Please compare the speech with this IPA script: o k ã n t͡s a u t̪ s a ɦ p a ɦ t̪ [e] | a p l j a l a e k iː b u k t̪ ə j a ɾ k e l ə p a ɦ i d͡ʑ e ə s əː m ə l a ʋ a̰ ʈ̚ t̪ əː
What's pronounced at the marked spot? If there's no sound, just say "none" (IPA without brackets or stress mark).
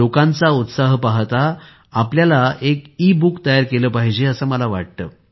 a